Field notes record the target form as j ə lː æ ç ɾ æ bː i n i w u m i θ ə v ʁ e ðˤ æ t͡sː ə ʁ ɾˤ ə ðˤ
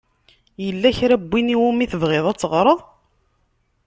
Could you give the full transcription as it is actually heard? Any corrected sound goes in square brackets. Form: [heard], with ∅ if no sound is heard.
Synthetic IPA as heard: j ə lː æ ç ɾ æ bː i n i w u m i θ ə v ʁ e ðˤ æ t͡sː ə ʁ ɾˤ ə ðˤ